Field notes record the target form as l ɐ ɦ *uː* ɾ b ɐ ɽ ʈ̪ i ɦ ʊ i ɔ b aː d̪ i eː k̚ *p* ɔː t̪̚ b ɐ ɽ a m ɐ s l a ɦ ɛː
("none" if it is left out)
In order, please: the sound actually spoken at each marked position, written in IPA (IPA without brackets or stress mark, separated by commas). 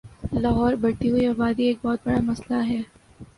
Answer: ɔː, b